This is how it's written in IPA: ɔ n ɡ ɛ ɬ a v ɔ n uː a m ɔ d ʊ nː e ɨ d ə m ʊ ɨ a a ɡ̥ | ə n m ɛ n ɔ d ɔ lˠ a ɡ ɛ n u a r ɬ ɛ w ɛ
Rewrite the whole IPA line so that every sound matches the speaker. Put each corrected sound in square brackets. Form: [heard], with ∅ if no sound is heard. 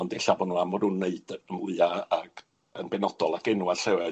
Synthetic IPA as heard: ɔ n [d] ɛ ɬ a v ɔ n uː a m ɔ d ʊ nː e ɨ d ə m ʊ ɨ a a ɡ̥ | ə n [b] ɛ n ɔ d ɔ lˠ a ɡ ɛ n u a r ɬ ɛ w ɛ